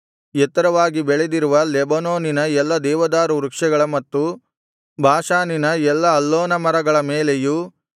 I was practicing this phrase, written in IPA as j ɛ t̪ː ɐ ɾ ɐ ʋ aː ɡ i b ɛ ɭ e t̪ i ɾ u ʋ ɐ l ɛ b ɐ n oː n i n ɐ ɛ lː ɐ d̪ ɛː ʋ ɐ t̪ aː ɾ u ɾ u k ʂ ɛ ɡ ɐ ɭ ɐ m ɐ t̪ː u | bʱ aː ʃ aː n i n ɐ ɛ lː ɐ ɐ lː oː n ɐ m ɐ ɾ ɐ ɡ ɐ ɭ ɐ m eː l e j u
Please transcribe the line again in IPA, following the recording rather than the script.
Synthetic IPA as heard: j ɛ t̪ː ɐ ɾ ɐ ʋ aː ɡ i b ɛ ɭ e d̪ i ɾ u ʋ ɐ l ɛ b ɐ n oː n i n ɐ ɛ lː ɐ d̪ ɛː ʋ ɐ d̪ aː ɾ u ɾ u k ʂ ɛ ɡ ɐ ɭ ɐ m ɐ t̪ː u | bʱ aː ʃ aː n i n ɐ ɛ lː ɐ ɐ lː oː n ɐ m ɐ ɾ ɐ ɡ ɐ ɭ ɐ m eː l e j u